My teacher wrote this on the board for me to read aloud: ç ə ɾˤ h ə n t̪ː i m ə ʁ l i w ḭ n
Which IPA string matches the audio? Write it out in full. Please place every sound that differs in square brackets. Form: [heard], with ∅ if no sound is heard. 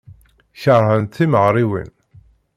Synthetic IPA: ç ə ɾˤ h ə n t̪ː i m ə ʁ [ɾ] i w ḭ n